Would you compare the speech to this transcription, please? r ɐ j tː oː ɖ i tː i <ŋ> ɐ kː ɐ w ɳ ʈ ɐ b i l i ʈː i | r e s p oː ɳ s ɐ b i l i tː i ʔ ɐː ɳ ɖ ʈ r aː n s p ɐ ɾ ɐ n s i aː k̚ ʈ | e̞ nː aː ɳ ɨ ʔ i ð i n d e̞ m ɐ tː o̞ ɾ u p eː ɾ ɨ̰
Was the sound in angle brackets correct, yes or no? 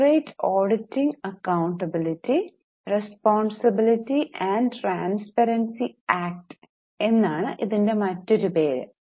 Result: yes